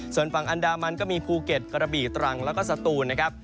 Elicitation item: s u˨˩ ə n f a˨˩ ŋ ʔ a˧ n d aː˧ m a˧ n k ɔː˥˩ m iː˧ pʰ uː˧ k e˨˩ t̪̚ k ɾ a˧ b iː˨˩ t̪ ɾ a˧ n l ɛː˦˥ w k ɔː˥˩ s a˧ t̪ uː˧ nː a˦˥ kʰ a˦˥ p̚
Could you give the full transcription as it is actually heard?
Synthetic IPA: s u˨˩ ə n f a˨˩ ŋ ʔ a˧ n d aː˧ m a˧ n k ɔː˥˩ m iː˧ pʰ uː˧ k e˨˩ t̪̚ k ɾ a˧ b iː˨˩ t̪ ɾ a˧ ŋ l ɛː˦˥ w k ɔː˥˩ s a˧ t̪ uː˧ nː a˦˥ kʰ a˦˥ p̚